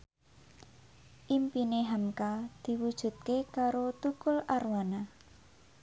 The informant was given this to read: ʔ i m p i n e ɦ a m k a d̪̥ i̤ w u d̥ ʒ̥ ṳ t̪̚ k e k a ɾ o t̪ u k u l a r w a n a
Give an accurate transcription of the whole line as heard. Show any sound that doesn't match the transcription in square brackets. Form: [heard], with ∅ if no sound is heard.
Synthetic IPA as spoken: ʔ i m p i n e ɦ a m k a d̪̥ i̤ w u d̥ ʒ̥ ṳ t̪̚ k e k a ɾ o t̪ u k [ʊ] l a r w a n a